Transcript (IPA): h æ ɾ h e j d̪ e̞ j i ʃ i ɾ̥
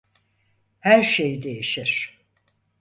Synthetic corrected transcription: h æ ɾ ʃ e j d̪ e̞ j i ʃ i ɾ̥